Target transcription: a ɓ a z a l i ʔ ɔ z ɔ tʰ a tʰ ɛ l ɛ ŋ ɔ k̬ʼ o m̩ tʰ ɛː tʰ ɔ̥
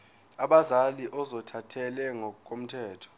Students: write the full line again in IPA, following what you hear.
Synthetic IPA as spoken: a ɓ a z a l i ʔ ɔ z ɔ tʰ a tʰ ɛ l ɛ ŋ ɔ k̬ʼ o m̩ tʰ ɛː tʰ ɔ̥